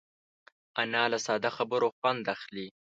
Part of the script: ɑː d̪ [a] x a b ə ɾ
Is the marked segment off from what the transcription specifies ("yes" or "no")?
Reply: no